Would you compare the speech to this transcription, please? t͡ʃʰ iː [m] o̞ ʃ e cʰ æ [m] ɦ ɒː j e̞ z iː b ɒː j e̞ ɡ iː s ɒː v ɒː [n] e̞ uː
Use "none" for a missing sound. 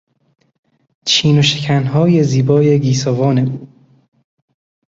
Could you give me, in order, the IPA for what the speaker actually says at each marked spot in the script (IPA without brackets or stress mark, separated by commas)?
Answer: n, n, n